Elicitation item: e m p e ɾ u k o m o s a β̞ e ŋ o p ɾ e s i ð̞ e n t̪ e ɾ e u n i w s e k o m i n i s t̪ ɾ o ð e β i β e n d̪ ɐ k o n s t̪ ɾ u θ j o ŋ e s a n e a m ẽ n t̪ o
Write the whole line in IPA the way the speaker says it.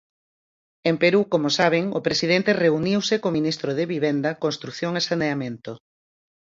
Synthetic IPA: e m p e ɾ u k o m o s a β̞ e ŋ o p ɾ e s i ð̞ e n t̪ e r e u n i w s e k o m i n i s t̪ ɾ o ð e β i β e n d̪ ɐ k o n s t̪ ɾ u θ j o ŋ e s a n e a m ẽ n t̪ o